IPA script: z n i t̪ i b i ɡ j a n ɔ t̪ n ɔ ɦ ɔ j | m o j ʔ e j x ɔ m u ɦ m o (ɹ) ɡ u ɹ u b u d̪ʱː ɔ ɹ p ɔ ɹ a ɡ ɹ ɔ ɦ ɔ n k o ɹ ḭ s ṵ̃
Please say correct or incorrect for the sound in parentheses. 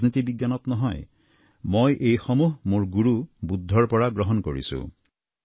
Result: correct